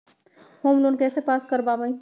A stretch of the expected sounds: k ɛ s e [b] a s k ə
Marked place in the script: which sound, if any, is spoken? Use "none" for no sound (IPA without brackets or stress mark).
p